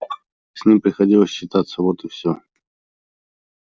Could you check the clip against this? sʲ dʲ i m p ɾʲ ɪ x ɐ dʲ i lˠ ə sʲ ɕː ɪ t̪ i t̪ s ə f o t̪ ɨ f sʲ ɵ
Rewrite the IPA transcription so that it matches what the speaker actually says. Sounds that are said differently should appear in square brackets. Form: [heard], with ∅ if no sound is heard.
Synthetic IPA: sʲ [nʲ] i m p ɾʲ ɪ x ɐ dʲ i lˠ ə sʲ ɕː ɪ t̪ [a] t̪ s ə [v] o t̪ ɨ f sʲ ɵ